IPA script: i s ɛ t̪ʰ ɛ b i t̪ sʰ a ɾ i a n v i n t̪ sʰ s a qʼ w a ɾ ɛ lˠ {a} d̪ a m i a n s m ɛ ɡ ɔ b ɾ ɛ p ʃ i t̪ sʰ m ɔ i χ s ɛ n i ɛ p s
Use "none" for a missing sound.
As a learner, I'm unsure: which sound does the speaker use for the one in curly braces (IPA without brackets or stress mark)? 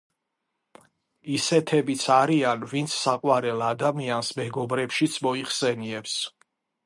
a